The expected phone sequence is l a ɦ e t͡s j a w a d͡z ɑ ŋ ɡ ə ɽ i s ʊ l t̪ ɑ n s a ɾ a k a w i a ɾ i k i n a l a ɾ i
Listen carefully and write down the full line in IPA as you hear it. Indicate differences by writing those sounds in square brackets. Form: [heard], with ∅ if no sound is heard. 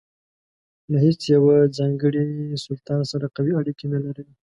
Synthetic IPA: l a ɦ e t͡s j a w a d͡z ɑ ŋ ɡ ə ɽ i s ʊ l t̪ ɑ n s a ɾ a [q] a w i a [ɽ] i k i n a l a ɾ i